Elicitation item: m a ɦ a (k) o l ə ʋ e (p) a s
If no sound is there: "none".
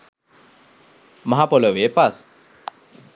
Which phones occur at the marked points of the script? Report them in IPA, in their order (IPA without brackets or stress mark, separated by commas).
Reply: p, p